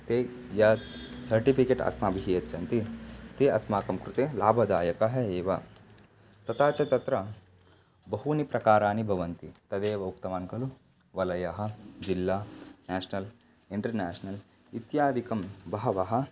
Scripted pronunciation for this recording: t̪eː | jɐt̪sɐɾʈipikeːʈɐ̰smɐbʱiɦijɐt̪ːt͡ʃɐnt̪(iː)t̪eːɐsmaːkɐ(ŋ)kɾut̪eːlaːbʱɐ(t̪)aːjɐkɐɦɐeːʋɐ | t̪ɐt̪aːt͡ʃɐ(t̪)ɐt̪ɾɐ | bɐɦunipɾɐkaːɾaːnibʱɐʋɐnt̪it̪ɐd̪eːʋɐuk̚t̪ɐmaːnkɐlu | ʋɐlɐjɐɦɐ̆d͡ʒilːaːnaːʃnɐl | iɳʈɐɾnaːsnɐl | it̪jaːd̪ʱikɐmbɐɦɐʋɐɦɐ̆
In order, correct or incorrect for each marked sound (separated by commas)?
incorrect, incorrect, incorrect, correct